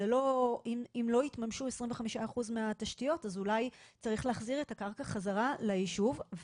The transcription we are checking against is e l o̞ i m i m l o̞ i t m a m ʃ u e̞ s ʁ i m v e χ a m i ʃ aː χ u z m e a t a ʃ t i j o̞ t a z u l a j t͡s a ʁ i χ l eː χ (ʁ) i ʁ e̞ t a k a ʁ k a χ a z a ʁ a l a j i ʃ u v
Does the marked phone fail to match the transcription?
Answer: yes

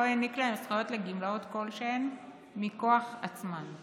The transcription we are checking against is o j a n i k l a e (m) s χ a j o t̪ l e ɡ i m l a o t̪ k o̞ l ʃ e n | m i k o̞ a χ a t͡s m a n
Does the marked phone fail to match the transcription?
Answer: no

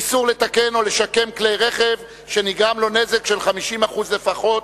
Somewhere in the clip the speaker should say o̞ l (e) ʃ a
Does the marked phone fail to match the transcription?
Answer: no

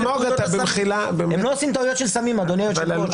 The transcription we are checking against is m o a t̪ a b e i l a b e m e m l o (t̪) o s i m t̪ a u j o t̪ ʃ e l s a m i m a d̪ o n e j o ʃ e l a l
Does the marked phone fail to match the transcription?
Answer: yes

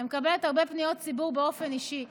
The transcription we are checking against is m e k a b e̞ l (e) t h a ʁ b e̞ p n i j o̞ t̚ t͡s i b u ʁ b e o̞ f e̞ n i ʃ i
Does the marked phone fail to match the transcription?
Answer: no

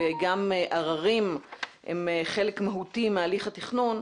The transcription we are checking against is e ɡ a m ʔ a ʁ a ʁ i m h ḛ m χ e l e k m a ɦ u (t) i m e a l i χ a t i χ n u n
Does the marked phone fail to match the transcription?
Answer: no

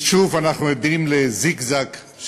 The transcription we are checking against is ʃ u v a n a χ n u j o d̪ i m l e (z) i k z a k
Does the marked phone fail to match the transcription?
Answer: no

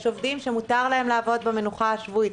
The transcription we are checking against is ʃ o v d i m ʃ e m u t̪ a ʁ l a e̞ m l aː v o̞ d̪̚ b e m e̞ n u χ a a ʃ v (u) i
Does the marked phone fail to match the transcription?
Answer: no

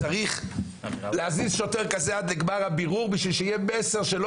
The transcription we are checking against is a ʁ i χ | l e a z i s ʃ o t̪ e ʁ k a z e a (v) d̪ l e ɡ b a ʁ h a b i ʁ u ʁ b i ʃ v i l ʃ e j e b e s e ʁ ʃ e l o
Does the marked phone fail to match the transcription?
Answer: yes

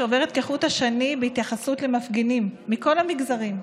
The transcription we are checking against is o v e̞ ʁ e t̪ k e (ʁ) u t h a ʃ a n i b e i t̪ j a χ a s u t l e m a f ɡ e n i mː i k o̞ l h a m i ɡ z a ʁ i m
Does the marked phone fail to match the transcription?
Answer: yes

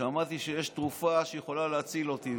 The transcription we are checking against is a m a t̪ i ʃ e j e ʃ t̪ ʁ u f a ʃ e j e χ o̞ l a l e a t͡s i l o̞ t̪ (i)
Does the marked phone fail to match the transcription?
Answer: no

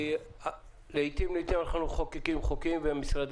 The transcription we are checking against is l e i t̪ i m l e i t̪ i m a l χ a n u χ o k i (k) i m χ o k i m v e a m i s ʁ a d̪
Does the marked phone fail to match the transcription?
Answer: no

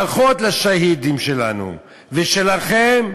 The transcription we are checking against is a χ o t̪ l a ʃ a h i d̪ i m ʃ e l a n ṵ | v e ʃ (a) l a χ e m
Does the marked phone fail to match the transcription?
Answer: yes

